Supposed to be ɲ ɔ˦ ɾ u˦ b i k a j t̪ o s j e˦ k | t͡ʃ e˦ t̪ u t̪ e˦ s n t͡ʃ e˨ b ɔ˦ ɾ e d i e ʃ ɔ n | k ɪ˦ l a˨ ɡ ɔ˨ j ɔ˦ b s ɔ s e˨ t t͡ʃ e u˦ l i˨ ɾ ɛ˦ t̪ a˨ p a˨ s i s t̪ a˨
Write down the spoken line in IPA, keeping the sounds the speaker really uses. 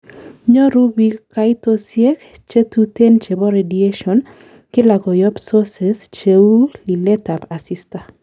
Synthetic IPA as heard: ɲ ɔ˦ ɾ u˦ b i k a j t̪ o s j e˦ k | t͡ʃ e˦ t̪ u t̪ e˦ n t͡ʃ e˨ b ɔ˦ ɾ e d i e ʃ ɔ n | k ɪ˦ l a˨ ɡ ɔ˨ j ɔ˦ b s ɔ s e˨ s t͡ʃ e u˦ l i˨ l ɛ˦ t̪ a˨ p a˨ s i s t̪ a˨